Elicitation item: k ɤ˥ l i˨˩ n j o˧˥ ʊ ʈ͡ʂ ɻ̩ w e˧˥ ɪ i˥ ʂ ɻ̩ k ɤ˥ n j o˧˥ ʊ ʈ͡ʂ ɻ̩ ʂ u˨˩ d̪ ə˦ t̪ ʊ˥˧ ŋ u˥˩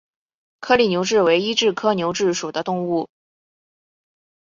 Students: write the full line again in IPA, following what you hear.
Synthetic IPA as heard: kʰ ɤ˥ l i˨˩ n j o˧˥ ʊ ʈ͡ʂ ɻ̩ w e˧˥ ɪ i˥ ʈ͡ʂ ɻ̩ kʰ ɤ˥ n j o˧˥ ʊ ʈ͡ʂ ɻ̩ ʂ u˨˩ d̪ ə˦ t̪ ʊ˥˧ ŋ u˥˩